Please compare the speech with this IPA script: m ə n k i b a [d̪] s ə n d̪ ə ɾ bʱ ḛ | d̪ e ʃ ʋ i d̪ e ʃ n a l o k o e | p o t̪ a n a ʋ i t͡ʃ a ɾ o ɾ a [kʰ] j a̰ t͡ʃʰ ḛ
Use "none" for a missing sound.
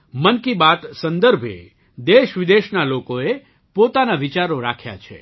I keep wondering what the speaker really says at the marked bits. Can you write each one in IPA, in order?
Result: t̪, kʰ

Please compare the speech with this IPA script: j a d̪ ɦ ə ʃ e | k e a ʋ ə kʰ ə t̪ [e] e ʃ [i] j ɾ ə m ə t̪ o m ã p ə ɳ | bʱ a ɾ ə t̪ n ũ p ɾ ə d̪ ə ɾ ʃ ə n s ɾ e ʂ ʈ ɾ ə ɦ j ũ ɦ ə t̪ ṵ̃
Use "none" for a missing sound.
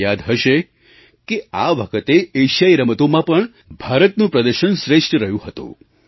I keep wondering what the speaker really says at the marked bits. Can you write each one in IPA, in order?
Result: e, a

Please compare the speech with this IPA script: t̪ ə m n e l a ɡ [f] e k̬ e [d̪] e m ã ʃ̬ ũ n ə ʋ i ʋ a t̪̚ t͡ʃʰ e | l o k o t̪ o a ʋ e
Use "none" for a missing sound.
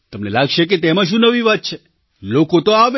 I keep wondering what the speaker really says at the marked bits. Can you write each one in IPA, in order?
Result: ʃ, t̪

